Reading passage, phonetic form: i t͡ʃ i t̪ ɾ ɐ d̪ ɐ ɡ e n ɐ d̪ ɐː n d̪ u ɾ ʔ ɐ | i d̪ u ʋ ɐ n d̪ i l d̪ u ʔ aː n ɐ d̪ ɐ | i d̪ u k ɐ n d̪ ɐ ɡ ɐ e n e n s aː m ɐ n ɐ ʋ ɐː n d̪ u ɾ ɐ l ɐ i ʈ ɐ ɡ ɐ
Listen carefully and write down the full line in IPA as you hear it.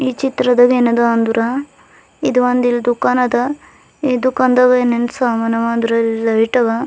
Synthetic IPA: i t͡ʃ i t̪ ɾ ɐ d̪ ɐ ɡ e n ɐ d̪ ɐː n d̪ u ɾ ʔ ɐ | i d̪ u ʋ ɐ n d̪ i l d̪ u k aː n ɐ d̪ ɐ | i d̪ u k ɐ n d̪ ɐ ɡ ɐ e n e n s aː m ɐ n ɐ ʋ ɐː n d̪ u ɾ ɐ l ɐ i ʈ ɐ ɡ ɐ